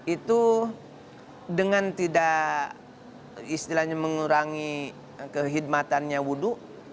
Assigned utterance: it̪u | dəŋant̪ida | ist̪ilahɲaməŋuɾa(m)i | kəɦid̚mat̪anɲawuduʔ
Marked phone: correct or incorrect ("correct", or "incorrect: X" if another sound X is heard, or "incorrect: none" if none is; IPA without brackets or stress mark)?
incorrect: ŋ